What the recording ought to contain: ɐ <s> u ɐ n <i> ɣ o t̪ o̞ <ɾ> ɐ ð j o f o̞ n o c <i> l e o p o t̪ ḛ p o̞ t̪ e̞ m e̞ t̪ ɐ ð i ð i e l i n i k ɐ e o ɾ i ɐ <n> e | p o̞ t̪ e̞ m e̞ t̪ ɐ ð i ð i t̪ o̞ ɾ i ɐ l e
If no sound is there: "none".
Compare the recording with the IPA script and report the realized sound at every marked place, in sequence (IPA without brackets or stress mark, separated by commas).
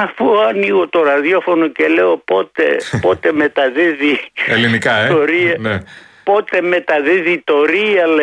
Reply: f, i, ɾ, e, n